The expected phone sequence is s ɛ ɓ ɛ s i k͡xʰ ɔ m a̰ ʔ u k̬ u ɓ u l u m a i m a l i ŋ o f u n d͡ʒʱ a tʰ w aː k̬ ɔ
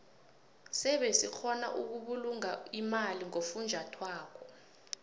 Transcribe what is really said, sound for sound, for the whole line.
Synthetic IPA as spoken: s ɛ ɓ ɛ s i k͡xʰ ɔ n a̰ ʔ u k̬ u ɓ u l u ŋ a i m a l i ŋ o f u n d͡ʒʱ a tʰ w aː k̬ ɔ